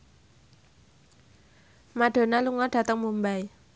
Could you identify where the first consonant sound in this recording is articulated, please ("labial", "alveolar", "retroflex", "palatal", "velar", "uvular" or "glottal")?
labial